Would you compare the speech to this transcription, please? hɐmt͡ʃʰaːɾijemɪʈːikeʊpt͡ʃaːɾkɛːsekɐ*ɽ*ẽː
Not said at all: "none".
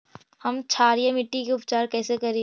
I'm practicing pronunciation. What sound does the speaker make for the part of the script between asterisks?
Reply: ɾ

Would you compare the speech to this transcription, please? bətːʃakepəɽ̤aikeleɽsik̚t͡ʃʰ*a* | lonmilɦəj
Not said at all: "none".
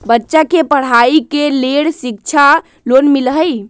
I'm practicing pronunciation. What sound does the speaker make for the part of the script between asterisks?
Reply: a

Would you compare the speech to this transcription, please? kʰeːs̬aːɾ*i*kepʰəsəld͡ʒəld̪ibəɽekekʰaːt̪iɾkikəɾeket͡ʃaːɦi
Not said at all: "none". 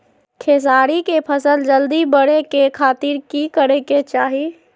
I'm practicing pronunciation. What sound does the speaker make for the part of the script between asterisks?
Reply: i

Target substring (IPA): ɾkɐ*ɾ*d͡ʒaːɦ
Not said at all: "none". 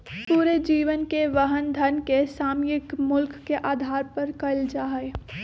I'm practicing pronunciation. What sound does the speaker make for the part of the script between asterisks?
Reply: l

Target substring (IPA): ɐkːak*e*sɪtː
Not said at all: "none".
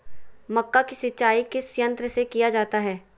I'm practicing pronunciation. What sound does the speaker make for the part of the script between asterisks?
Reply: i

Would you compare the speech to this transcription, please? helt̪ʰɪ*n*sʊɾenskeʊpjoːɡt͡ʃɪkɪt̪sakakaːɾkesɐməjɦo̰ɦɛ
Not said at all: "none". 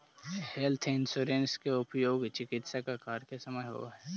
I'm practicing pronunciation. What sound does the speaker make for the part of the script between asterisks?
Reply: n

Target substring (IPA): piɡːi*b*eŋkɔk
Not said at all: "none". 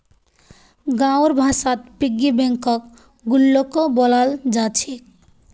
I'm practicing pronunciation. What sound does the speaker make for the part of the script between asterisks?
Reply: b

